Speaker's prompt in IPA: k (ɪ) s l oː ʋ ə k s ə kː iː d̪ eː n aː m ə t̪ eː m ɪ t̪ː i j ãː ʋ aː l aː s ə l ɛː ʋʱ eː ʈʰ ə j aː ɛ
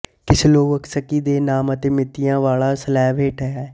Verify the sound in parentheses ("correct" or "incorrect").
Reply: correct